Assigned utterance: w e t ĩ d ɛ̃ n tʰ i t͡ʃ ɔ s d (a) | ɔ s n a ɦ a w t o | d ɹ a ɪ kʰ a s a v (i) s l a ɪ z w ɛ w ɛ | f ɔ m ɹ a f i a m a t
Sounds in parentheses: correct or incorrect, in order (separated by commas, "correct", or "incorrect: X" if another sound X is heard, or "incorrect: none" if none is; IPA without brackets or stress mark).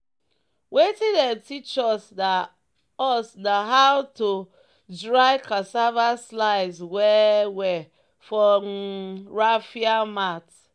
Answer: correct, incorrect: a